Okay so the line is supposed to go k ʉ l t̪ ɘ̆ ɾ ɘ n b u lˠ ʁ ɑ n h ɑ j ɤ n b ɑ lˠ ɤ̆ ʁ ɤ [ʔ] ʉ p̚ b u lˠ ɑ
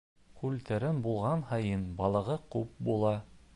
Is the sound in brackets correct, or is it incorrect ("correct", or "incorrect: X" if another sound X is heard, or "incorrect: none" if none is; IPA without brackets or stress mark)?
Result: incorrect: q